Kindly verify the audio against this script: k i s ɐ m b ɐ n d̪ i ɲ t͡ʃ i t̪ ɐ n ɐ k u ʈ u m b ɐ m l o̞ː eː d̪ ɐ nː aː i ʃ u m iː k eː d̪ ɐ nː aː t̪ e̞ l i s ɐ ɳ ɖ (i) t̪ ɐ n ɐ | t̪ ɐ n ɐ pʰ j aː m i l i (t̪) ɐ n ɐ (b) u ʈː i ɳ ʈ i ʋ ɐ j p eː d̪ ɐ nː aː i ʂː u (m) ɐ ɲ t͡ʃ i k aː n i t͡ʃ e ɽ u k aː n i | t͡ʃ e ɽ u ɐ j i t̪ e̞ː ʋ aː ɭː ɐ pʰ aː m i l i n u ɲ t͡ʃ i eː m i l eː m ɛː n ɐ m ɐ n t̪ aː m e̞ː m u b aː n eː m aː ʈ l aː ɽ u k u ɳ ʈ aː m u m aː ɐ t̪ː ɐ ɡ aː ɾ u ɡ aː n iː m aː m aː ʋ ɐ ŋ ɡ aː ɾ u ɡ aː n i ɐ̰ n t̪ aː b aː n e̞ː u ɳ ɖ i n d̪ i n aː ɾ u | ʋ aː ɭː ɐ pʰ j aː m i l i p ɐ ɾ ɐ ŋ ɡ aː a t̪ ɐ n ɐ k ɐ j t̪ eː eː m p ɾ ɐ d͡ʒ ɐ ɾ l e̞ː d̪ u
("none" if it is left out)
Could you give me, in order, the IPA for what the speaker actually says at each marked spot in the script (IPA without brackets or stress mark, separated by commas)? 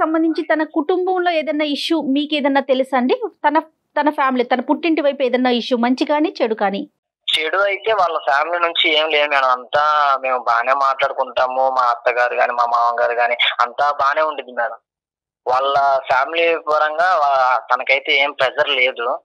i, t̪, p, m